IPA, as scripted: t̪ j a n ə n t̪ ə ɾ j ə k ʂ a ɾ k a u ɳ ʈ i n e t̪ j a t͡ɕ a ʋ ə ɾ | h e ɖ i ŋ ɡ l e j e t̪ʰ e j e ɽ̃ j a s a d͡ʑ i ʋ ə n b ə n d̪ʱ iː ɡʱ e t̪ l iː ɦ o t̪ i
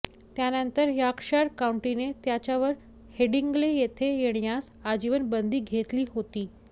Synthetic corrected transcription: t̪ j a n ə n t̪ ə ɾ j a k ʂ a ɾ k a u ɳ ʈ i n e t̪ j a t͡ɕ a ʋ ə ɾ | h e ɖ i ŋ ɡ l e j e t̪ʰ e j e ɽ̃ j a s a d͡ʑ i ʋ ə n b ə n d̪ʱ iː ɡʱ e t̪ l iː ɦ o t̪ iː